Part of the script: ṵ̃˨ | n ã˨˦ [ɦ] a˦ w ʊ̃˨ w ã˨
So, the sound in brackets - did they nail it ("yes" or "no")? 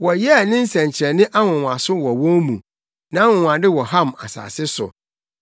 no